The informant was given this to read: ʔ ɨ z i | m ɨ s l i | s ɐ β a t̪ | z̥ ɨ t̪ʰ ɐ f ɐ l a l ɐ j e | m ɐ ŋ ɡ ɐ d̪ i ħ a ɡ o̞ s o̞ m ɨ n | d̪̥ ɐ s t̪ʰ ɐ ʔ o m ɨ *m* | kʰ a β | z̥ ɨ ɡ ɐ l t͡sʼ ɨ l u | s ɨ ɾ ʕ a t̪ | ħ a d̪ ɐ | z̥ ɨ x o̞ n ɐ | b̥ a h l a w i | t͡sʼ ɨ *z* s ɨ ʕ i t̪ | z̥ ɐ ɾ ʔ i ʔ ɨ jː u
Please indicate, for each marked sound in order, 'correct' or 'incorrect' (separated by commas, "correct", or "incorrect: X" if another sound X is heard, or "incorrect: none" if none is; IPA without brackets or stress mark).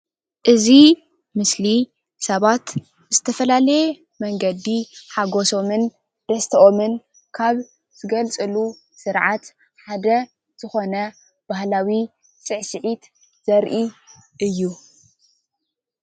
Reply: incorrect: n, incorrect: ʕ